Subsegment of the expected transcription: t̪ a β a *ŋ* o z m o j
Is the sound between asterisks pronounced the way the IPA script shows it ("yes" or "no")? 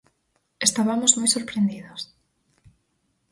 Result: no